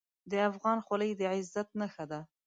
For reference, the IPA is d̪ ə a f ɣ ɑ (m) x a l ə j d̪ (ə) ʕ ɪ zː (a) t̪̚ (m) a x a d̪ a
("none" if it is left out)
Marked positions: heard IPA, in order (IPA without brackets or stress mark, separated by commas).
n, ə, a, n